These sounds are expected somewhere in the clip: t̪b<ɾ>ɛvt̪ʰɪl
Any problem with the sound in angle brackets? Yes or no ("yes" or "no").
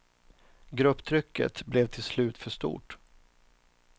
yes